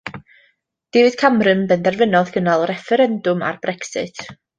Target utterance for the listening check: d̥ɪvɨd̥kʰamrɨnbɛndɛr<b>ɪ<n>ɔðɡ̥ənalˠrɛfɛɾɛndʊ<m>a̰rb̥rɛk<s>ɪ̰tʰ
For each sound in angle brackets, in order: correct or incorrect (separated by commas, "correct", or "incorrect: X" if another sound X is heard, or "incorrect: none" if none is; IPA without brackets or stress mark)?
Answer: incorrect: v, correct, correct, correct